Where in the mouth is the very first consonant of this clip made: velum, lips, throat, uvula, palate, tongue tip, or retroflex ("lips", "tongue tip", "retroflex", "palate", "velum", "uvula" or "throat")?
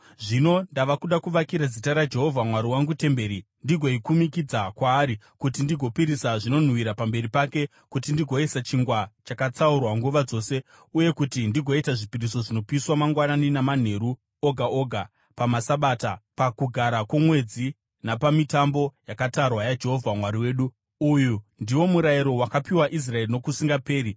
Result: retroflex